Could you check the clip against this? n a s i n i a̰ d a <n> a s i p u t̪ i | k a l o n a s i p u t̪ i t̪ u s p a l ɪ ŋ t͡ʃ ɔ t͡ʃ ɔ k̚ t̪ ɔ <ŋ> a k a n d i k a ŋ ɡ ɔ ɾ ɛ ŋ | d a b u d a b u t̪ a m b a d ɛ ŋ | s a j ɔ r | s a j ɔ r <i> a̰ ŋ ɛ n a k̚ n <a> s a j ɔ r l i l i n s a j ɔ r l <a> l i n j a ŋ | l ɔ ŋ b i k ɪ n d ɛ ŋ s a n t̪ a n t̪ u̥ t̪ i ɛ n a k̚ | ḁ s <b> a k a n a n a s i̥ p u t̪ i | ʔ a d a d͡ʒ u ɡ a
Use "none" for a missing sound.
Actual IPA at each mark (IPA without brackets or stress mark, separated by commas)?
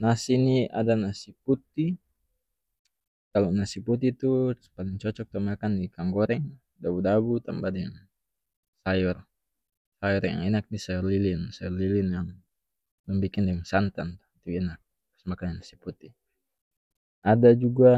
n, m, j, i, i, m